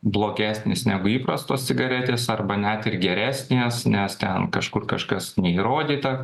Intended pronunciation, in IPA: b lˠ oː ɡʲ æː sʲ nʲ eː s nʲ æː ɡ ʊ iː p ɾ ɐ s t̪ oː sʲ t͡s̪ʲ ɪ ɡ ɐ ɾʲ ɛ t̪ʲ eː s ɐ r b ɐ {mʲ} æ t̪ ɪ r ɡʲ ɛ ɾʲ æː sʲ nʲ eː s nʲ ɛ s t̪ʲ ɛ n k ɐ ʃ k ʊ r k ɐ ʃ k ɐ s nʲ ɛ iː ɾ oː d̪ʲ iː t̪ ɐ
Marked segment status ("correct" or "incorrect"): incorrect